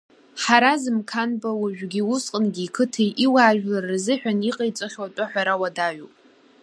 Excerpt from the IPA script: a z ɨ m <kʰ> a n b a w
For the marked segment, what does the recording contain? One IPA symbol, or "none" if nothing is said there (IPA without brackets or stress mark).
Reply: kʰ